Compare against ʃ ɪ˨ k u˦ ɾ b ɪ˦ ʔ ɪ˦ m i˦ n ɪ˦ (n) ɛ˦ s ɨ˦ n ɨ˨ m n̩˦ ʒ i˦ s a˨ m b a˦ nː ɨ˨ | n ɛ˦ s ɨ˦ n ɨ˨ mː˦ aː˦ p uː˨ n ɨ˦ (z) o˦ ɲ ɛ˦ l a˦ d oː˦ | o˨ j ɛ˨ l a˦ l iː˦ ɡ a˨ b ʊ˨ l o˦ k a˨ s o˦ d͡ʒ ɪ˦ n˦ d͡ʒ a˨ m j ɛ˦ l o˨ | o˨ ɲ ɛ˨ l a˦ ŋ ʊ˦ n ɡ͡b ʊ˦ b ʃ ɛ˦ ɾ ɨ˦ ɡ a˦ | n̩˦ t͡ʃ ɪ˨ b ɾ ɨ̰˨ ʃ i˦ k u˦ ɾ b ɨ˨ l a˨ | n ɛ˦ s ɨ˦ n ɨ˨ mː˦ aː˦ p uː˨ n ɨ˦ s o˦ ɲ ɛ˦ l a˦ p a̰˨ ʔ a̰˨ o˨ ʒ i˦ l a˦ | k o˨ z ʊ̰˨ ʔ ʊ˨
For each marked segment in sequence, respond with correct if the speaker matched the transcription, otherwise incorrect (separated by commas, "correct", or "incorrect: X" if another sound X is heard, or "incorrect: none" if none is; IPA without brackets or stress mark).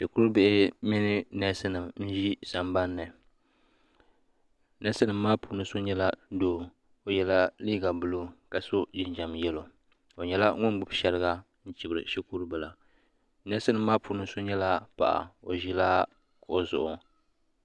correct, incorrect: s